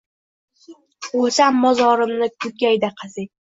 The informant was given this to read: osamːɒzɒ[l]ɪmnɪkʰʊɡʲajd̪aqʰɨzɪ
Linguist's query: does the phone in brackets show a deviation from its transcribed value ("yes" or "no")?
yes